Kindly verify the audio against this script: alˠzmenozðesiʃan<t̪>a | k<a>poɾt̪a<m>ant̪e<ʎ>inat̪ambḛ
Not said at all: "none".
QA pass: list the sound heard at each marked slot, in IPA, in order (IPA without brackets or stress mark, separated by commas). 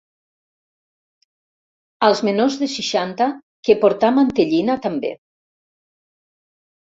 t̪, e, m, ʎ